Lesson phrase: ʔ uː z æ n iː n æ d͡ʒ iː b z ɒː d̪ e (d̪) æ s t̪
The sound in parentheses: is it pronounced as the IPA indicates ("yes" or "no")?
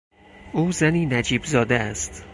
no